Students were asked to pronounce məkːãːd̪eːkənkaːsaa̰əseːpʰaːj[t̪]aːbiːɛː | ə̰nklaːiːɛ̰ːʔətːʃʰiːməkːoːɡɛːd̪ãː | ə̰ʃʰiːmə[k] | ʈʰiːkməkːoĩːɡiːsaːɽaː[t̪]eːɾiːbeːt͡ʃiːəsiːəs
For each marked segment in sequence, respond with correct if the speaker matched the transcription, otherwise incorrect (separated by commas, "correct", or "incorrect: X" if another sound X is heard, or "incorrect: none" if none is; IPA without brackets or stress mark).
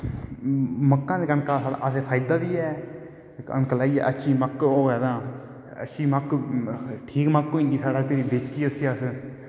incorrect: d̪, correct, correct